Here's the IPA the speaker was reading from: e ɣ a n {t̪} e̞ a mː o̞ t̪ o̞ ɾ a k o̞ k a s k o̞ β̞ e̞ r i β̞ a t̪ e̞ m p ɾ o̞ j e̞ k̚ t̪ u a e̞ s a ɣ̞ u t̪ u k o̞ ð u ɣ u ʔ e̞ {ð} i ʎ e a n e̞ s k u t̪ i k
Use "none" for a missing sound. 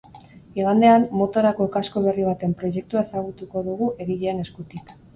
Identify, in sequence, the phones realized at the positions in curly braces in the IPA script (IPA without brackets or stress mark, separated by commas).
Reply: d̪, ɣ